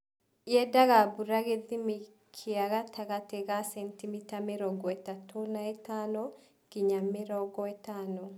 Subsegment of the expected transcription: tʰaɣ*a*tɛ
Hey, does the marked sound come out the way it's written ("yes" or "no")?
yes